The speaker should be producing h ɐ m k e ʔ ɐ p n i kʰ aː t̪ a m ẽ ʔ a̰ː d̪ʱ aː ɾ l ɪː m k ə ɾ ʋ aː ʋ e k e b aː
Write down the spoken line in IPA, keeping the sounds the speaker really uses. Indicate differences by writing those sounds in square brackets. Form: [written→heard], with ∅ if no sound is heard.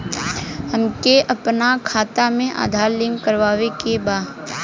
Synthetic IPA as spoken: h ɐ m k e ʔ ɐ p n [i→a] kʰ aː t̪ a m ẽ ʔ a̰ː d̪ʱ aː ɾ l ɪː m k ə ɾ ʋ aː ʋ e k e b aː